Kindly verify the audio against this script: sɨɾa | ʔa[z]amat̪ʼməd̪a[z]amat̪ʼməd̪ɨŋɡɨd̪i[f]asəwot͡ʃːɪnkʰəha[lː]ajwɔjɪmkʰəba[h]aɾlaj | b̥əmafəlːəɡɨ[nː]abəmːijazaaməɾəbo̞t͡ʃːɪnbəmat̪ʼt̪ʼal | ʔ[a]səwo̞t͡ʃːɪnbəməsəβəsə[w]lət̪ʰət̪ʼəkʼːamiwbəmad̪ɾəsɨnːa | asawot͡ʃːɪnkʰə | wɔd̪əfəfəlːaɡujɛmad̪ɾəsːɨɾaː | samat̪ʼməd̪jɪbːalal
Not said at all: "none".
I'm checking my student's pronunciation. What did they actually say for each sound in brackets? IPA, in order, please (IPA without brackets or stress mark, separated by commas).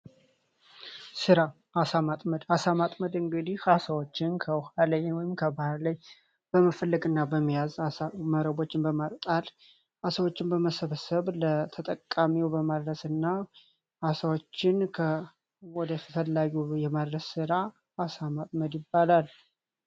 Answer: s, s, h, l, h, nː, a, β